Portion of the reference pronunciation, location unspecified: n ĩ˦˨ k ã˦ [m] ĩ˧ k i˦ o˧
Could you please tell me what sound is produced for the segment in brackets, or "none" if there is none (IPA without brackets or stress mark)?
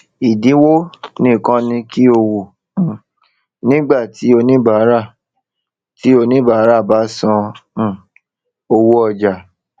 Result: n